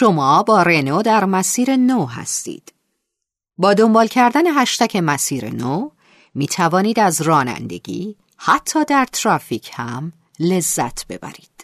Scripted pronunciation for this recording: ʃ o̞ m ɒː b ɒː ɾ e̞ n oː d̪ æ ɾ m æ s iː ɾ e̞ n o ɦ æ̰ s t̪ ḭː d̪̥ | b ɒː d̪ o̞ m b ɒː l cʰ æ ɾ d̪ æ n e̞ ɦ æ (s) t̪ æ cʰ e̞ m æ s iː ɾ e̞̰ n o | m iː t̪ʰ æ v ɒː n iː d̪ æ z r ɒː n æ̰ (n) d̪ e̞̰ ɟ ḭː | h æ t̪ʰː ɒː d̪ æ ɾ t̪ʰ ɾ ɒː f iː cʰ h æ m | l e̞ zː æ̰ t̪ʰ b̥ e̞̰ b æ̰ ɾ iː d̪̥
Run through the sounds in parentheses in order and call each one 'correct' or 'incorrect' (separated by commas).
incorrect, correct